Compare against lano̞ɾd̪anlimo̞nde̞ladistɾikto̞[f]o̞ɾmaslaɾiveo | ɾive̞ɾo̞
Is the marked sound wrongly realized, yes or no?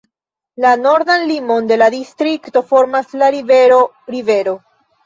no